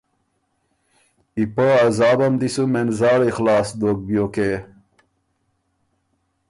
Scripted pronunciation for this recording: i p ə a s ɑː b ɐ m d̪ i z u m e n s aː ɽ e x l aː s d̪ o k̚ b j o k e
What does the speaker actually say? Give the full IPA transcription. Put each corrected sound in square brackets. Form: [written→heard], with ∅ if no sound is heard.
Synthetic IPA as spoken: i p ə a [s→z] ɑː b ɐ m d̪ i [z→s] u m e n [s→z] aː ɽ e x l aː s d̪ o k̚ b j o k e